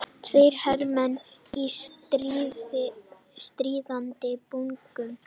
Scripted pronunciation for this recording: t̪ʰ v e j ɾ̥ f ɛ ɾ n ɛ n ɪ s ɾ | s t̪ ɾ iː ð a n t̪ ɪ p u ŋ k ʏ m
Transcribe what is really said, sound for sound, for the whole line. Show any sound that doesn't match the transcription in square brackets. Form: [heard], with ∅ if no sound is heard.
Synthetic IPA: t̪ʰ v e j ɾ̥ [h] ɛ ɾ [m] ɛ n [i] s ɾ | s t̪ ɾ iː ð a n t̪ ɪ p u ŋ k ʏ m